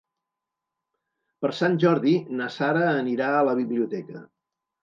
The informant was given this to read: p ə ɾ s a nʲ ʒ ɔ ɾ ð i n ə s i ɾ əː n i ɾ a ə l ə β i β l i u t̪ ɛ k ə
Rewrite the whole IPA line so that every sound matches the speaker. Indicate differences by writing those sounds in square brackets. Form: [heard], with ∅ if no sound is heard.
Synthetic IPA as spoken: p ə ɾ s a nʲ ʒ ɔ ɾ ð i n ə s [a] ɾ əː n i ɾ a ə l ə β i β l i u t̪ ɛ k ə